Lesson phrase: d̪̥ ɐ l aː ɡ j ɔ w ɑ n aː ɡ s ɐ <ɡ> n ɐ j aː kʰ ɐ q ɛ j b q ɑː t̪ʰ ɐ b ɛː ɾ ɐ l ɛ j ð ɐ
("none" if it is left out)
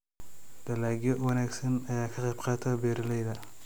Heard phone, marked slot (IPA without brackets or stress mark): none